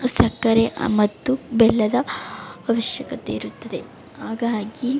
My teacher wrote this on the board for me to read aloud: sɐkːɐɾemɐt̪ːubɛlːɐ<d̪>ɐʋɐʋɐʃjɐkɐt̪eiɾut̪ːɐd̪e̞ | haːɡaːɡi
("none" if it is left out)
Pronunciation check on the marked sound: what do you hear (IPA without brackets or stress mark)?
d̪